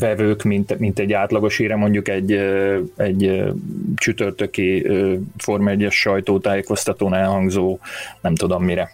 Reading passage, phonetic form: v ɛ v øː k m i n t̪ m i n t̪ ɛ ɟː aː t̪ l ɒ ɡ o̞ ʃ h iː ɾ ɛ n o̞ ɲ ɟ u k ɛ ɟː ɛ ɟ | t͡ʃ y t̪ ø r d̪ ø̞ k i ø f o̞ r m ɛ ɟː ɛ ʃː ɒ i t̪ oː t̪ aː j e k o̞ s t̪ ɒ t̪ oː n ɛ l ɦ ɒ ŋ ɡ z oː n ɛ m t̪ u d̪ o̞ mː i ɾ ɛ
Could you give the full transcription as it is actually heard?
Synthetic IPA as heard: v ɛ v øː k m i n t̪ m i n t̪ ɛ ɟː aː t̪ l ɒ ɡ o̞ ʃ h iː ɾ ɛ m o̞ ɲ ɟ u k ɛ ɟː ɛ ɟ | t͡ʃ y t̪ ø r t̪ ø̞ k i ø f o̞ r m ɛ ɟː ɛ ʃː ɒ j t̪ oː t̪ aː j e k o̞ s t̪ ɒ t̪ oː n ɛ l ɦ ɒ ŋ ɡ z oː n ɛ m t̪ u d̪ o̞ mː i ɾ ɛ